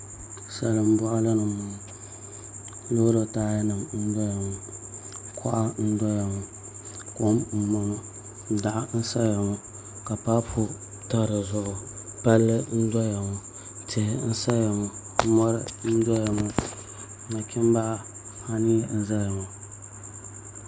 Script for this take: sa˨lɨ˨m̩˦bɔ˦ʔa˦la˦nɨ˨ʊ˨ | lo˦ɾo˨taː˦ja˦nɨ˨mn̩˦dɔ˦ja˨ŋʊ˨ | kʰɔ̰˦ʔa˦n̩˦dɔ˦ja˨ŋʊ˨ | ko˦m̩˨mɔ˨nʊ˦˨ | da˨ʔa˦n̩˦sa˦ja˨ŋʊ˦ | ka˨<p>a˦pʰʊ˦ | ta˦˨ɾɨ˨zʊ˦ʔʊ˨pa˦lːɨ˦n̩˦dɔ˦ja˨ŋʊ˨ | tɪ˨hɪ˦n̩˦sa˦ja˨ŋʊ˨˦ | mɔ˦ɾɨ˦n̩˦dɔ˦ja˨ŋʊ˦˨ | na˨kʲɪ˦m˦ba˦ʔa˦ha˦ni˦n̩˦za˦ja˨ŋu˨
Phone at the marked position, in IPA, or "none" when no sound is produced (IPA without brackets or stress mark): p